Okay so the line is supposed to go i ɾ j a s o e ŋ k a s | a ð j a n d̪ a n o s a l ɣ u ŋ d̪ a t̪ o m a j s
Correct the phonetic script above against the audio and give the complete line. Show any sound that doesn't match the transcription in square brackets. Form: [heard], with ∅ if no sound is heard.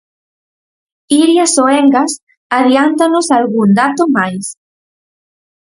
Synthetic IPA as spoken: i ɾ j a s o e ŋ [ɡ] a s | a ð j a n [t̪] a n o s a l ɣ u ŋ d̪ a t̪ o m a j s

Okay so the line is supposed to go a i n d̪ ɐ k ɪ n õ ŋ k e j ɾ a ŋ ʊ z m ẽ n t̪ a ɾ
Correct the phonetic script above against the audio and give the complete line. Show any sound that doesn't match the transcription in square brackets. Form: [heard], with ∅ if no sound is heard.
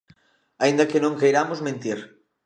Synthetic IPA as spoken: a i n d̪ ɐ k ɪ n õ ŋ k e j ɾ a [m] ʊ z m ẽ n t̪ [i] ɾ

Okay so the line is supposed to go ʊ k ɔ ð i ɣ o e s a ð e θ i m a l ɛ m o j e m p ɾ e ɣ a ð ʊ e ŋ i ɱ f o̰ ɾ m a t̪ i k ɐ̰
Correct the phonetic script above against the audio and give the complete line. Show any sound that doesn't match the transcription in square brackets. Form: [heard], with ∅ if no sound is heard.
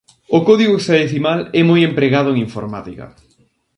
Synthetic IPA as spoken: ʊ k ɔ ð i ɣ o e s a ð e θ i m a l ɛ m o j e m p ɾ e ɣ a ð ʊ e ŋ i ɱ f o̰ ɾ m a t̪ i k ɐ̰

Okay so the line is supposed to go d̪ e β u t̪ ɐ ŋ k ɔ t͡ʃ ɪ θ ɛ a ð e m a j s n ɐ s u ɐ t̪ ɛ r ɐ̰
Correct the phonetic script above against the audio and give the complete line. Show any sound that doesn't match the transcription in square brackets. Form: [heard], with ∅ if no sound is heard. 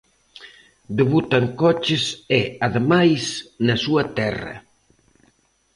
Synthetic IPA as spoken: d̪ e β u t̪ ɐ ŋ k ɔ t͡ʃ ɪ [s] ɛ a ð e m a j s n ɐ s u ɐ t̪ ɛ r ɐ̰

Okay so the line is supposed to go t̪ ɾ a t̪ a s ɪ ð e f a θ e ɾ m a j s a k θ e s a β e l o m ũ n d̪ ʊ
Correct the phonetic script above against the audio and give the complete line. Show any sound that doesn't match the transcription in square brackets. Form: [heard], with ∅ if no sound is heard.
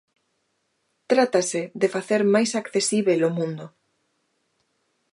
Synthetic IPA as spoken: t̪ ɾ a t̪ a s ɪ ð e f a θ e ɾ m a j s a k θ e s [i] β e l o m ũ n d̪ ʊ

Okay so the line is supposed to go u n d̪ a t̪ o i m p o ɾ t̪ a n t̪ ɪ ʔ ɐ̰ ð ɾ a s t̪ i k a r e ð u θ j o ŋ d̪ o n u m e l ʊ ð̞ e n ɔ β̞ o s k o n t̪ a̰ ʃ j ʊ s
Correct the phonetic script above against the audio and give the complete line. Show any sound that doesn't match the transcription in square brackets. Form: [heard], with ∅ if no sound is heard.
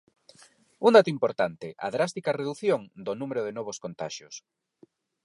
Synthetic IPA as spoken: u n d̪ a t̪ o i m p o ɾ t̪ a n t̪ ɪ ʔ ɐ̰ ð ɾ a s t̪ i k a r e ð u θ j o ŋ d̪ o n u m e [ɾ] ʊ ð̞ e n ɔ β̞ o s k o n t̪ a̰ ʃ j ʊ s

